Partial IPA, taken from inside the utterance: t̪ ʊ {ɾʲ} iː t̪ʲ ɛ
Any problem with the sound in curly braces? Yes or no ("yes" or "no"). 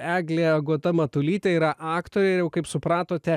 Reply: yes